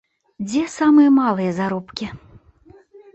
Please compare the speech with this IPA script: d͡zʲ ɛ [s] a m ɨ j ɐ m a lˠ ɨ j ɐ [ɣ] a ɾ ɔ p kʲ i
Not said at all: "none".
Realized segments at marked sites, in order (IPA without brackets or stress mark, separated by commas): s, z